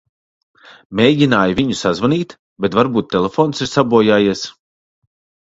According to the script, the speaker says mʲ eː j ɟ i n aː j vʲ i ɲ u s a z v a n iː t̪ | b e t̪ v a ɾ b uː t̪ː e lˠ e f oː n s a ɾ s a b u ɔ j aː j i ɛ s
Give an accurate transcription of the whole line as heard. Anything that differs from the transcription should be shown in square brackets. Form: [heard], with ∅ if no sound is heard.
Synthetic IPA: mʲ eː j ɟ i n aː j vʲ i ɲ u s a z v a n iː t̪ | b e t̪ v a ɾ b uː t̪ː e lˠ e f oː n s [i] ɾ s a b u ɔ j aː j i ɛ s